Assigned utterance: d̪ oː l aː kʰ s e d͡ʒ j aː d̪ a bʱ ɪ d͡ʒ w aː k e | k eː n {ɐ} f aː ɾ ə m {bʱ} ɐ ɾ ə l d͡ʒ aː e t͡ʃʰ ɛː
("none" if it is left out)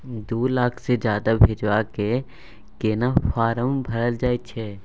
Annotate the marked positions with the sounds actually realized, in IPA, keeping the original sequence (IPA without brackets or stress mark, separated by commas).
a, bʱ